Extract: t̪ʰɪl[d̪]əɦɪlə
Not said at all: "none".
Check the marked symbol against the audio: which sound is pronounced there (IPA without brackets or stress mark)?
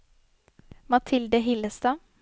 d̪